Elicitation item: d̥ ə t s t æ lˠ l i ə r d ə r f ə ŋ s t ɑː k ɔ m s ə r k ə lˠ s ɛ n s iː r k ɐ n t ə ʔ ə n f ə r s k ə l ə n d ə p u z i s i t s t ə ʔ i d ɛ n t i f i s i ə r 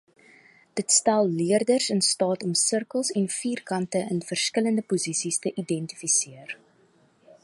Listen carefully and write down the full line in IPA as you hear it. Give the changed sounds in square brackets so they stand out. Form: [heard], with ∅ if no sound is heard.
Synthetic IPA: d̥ ə t s t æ lˠ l i ə r d ə r [s] ə [n] s t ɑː [t] ɔ m s ə r k ə lˠ s ɛ n [f] iː r k ɐ n t ə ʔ ə n f ə r s k ə l ə n d ə p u z i s i [∅] s t ə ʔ i d ɛ n t i f i s i ə r